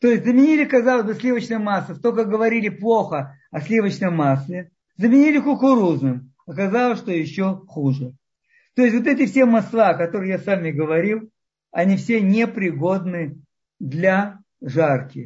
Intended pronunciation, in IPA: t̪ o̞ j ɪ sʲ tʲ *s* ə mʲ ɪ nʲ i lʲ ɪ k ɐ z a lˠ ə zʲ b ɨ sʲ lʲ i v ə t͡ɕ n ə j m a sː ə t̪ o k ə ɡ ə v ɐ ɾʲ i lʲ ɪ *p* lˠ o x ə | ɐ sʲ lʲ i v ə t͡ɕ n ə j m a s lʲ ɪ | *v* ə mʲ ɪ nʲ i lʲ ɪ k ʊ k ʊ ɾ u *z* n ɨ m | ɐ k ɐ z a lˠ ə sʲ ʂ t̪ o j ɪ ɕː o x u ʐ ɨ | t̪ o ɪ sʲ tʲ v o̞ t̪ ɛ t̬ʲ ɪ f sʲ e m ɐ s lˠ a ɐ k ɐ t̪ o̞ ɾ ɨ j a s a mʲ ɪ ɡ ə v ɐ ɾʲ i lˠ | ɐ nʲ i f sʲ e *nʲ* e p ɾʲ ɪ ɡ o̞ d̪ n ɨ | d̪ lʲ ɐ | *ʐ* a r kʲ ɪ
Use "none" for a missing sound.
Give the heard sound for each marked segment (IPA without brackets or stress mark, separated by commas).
z, p, z, z, nʲ, ʐ